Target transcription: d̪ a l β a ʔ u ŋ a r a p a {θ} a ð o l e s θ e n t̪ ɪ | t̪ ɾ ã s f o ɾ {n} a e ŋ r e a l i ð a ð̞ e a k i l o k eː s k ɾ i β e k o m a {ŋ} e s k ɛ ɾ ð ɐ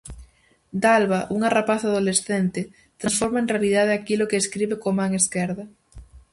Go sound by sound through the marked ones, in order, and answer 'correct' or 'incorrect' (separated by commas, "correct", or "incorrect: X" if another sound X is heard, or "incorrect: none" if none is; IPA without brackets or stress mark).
correct, incorrect: m, correct